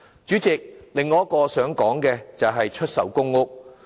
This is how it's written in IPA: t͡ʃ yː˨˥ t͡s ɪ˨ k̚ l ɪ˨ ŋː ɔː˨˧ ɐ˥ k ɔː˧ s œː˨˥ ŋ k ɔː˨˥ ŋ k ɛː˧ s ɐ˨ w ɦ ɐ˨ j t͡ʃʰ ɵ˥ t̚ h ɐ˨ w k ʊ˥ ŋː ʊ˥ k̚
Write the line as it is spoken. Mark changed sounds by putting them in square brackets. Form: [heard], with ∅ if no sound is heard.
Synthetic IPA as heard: t͡ʃ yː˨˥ t͡s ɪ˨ k̚ l ɪ˨ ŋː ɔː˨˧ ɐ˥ k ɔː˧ s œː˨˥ ŋ k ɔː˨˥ ŋ k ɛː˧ [t͡s] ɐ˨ w ɦ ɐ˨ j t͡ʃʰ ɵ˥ t̚ [s] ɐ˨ w k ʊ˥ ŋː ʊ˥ k̚